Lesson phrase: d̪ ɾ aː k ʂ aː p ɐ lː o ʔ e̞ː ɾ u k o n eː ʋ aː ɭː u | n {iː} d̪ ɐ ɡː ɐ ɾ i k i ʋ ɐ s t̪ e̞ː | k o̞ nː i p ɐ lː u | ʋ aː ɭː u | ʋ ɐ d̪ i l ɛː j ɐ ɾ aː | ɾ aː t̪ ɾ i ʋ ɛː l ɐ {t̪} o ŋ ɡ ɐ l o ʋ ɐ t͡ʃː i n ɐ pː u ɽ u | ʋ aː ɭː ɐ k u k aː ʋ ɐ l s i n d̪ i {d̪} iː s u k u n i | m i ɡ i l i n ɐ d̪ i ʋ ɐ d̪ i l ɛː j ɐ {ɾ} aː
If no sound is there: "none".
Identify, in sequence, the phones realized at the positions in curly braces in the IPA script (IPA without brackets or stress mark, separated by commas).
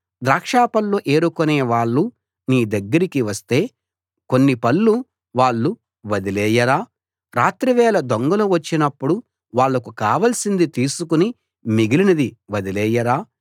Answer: iː, d̪, t̪, ɾ